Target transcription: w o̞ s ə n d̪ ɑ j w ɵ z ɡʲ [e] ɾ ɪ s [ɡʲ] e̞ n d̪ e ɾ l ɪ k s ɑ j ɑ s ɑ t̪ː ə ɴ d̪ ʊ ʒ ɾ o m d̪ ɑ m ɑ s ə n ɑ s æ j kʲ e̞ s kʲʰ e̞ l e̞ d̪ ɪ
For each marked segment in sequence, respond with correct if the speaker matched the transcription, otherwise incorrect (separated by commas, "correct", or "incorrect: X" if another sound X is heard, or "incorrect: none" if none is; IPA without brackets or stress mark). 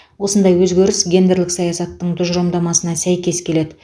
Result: correct, correct